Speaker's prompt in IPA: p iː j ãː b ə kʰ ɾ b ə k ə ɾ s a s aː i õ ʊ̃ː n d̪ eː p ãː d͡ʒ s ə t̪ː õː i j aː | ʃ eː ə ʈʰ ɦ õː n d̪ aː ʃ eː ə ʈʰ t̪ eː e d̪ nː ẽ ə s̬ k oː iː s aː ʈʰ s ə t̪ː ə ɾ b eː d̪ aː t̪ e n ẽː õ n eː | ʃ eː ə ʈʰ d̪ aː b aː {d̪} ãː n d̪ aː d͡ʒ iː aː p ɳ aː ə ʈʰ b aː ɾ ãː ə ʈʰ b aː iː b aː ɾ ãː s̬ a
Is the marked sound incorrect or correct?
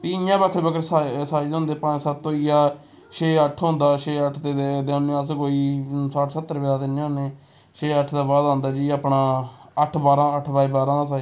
correct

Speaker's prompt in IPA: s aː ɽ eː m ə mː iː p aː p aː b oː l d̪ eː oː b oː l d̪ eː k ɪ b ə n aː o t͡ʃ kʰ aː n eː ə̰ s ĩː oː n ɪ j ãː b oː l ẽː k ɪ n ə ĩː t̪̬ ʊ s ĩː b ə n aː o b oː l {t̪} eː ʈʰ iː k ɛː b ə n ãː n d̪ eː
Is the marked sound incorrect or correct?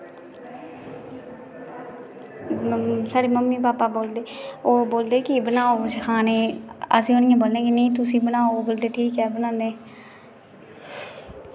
incorrect: d̪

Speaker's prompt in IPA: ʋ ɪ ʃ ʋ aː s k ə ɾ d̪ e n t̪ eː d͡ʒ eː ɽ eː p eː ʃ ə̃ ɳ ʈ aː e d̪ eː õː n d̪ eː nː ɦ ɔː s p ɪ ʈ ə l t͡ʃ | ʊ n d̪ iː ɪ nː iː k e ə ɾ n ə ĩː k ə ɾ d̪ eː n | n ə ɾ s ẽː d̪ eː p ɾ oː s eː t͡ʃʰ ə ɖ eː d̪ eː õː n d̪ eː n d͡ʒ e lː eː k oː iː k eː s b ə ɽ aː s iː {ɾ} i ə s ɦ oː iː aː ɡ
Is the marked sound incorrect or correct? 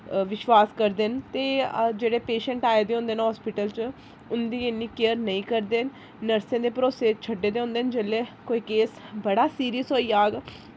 correct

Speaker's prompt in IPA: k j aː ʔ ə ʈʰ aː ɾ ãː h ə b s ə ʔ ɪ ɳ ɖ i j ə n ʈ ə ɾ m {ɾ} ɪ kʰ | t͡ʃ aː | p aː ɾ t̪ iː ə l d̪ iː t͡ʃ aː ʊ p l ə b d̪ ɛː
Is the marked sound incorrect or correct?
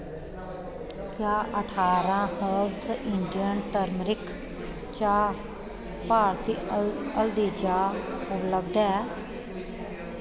correct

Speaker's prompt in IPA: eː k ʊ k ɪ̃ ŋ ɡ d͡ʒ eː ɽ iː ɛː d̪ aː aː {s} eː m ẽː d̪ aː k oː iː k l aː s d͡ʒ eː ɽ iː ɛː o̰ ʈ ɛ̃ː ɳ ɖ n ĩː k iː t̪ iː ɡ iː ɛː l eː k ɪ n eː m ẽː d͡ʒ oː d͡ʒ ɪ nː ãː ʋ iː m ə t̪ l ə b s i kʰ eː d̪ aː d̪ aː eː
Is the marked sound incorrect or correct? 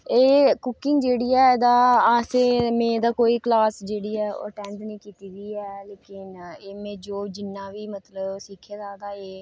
correct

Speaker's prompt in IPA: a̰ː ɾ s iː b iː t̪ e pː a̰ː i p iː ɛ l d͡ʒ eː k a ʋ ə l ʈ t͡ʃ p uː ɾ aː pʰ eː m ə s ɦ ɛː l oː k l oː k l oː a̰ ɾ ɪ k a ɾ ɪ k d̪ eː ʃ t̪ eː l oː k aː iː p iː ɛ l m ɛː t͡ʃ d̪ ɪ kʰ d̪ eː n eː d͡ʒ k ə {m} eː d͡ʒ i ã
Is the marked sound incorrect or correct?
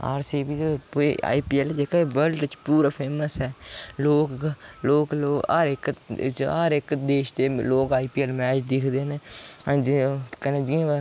incorrect: n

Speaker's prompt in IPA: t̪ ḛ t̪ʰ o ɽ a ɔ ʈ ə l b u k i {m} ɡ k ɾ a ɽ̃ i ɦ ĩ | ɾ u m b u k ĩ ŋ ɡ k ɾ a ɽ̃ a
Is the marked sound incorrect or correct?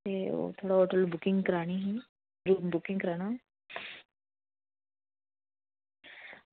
incorrect: ŋ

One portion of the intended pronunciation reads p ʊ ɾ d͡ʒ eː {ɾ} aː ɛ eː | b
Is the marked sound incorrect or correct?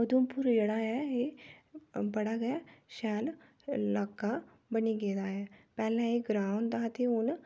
incorrect: ɽ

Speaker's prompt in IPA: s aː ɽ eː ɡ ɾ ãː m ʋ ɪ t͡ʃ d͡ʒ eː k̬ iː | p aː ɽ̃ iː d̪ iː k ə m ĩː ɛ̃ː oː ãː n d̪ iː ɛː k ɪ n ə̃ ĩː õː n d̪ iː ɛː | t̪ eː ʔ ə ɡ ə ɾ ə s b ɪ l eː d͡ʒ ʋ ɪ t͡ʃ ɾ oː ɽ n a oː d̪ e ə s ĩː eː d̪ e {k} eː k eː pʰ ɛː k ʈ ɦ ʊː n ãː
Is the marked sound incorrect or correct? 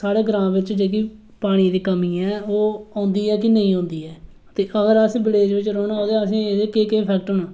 correct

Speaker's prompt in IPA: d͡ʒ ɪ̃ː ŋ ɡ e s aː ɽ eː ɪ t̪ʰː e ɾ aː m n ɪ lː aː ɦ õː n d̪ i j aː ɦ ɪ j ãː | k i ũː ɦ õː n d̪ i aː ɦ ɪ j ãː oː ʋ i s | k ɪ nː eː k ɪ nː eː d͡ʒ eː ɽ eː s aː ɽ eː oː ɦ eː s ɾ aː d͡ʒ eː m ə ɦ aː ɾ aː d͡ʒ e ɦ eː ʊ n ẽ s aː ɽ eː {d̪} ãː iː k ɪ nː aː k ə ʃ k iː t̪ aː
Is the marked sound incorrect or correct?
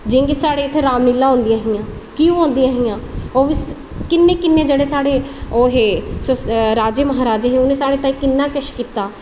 incorrect: t̪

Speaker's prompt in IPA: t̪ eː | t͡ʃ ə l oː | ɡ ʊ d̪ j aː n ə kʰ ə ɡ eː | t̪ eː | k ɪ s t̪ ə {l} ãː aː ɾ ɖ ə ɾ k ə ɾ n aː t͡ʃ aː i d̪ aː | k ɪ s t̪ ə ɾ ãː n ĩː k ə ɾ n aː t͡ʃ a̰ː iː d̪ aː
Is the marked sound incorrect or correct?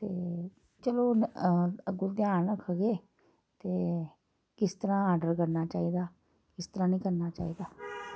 incorrect: ɾ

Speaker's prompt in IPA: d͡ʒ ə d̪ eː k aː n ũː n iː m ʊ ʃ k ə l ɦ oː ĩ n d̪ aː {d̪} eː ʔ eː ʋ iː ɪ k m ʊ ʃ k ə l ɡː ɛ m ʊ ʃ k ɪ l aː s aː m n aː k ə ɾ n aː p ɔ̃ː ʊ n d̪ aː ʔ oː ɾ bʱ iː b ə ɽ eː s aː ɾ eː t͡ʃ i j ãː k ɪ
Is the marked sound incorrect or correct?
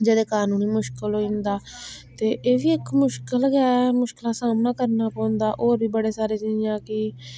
incorrect: t̪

